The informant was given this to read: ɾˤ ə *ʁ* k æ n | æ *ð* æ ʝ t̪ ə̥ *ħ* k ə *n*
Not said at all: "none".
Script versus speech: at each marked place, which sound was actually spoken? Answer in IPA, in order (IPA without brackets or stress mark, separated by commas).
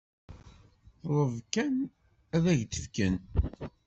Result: v, ð, f, n